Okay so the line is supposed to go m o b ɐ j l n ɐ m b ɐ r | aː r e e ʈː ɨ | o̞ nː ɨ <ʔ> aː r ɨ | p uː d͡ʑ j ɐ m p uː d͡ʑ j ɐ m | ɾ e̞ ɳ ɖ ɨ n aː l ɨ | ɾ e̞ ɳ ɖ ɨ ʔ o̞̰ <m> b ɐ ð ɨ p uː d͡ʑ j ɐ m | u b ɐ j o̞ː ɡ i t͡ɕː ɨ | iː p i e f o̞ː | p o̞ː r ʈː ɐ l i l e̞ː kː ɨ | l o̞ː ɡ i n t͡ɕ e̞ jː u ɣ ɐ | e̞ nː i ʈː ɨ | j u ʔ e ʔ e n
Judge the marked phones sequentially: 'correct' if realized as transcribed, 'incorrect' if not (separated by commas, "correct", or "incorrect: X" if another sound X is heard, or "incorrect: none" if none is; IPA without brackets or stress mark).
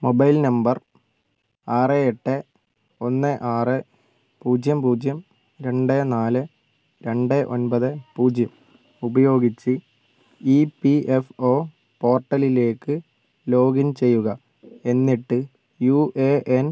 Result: correct, incorrect: n